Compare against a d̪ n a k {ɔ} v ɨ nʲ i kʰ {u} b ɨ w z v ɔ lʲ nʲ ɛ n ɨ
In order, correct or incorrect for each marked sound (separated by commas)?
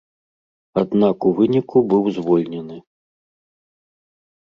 incorrect, correct